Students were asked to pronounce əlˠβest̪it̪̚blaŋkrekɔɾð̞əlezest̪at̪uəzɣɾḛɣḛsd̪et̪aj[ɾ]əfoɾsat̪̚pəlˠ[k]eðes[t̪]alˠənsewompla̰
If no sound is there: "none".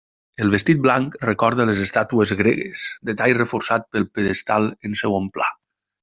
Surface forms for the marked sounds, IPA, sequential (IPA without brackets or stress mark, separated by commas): r, p, t̪